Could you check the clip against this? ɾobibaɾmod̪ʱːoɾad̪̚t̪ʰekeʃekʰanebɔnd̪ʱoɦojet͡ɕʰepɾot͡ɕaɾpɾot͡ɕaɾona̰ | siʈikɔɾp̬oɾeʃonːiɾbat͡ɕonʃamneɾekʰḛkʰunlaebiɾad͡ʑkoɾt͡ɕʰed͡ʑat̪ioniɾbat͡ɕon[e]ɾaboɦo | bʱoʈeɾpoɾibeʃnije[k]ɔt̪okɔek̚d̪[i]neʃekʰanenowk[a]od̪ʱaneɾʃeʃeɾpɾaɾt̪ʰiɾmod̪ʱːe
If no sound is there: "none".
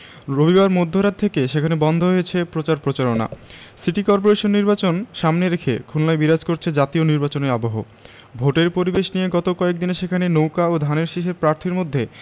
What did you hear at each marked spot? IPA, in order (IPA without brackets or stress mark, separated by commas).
e, ɡ, i, a